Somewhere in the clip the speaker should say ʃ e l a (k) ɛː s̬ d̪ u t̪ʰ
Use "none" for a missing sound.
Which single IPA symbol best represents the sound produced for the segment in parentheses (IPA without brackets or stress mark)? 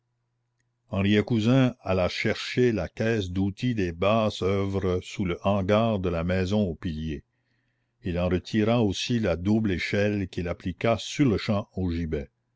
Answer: k